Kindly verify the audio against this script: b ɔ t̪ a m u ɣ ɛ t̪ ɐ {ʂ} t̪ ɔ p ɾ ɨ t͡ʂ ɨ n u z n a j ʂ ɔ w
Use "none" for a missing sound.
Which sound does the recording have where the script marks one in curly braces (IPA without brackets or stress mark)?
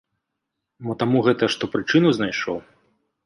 ʂ